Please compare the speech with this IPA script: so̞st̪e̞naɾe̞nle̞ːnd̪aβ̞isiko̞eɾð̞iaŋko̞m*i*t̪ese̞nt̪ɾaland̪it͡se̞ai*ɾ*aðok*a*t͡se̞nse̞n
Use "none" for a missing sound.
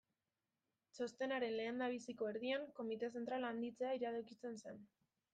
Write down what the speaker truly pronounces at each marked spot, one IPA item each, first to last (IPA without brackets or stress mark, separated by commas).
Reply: i, ɾ, i